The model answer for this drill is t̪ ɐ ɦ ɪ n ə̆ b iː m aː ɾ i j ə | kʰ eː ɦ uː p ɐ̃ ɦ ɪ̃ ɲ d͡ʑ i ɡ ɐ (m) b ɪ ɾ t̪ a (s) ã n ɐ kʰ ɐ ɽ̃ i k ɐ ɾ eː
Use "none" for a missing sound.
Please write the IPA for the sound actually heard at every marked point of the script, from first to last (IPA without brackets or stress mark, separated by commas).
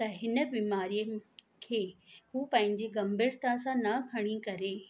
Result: m, s